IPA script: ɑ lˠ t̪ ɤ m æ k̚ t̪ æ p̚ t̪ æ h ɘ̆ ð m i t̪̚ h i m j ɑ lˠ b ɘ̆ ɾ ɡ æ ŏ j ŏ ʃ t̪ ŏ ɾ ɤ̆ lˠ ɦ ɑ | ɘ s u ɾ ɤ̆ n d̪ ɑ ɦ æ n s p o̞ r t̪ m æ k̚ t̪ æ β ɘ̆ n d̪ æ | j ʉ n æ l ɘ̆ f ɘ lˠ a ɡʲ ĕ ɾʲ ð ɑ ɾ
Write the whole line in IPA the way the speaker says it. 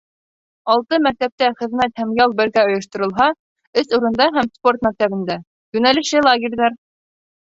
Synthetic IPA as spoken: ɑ lˠ t̪ ɤ m æ k̚ t̪ æ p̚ t̪ æ χ ɘ̆ ð m æ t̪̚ h æ m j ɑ lˠ b ɘ̆ ɾ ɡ æ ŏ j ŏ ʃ t̪ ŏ ɾ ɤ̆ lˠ ɦ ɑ | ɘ s u ɾ ɤ̆ n d̪ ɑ ɦ æ m s p o̞ r t̪ m æ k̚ t̪ æ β ɘ̆ n d̪ æ | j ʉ n æ l ɘ̆ ʃ ɘ lˠ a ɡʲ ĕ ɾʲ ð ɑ ɾ